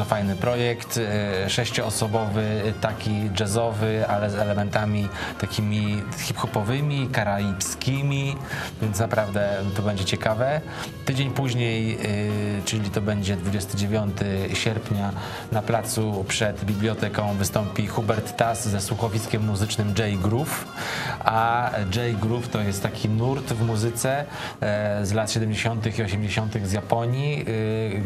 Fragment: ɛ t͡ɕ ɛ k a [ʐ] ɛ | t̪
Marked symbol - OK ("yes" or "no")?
no